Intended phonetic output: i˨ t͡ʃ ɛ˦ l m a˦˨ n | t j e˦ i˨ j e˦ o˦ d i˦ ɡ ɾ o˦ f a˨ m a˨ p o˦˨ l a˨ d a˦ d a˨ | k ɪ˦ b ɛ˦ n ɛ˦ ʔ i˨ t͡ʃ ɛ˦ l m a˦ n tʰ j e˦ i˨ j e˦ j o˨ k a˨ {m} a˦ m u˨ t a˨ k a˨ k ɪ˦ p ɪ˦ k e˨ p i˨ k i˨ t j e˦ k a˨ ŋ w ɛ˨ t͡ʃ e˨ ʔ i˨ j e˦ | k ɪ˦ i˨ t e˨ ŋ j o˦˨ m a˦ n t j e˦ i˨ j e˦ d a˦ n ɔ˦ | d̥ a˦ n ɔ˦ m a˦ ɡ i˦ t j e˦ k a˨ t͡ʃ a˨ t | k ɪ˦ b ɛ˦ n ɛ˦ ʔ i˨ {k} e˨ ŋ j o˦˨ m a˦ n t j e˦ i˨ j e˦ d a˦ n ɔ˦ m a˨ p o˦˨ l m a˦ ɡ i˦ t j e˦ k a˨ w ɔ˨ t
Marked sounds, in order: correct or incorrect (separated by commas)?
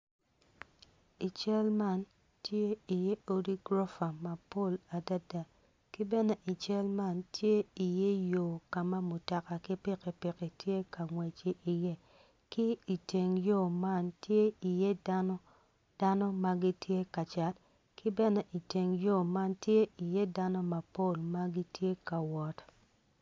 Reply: correct, incorrect